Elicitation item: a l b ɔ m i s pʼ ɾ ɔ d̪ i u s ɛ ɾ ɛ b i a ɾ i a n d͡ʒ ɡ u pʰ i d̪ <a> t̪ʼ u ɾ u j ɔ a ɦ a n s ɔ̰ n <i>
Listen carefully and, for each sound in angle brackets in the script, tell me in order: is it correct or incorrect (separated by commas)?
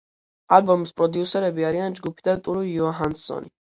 correct, correct